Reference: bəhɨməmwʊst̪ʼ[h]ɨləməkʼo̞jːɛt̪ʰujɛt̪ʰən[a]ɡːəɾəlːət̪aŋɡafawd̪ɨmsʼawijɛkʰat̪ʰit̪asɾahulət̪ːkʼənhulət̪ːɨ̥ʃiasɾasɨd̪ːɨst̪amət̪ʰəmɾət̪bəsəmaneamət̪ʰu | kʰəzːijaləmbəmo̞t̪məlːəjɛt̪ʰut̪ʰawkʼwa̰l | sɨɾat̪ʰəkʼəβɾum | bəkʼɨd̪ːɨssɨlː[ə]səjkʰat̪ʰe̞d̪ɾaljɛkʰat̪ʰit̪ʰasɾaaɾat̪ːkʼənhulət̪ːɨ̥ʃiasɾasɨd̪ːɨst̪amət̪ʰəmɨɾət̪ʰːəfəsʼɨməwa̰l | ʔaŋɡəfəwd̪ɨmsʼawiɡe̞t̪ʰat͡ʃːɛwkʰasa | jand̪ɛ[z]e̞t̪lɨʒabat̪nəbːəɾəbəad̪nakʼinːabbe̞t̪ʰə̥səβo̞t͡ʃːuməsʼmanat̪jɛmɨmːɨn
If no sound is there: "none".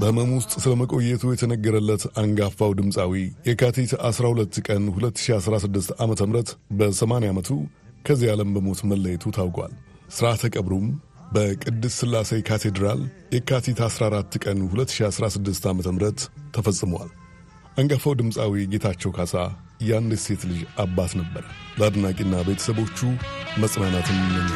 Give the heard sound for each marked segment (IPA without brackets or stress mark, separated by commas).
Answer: s, ə, a, s